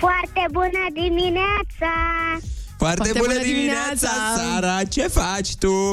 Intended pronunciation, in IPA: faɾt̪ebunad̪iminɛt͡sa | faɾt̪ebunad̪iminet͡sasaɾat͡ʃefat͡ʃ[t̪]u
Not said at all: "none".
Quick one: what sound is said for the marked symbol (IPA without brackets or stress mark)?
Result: t̪